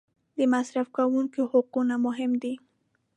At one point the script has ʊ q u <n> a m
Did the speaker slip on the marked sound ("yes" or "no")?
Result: no